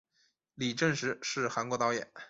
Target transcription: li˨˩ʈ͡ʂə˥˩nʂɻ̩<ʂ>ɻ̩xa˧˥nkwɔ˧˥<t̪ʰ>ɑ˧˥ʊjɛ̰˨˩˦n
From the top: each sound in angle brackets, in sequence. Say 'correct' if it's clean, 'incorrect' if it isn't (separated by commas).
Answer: correct, incorrect